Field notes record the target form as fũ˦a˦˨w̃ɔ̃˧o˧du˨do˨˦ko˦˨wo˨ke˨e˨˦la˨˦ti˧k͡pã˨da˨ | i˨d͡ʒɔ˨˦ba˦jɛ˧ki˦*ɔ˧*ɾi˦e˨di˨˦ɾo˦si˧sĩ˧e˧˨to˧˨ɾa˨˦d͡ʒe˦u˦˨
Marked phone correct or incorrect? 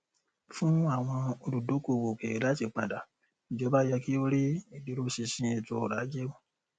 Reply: incorrect